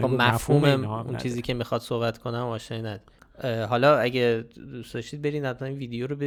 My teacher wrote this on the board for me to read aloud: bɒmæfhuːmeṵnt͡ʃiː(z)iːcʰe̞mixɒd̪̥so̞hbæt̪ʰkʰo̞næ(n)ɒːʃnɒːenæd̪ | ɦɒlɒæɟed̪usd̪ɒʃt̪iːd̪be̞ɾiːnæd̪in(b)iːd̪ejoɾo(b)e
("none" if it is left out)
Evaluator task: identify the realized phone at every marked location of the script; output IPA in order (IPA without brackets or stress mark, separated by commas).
z, m, v, b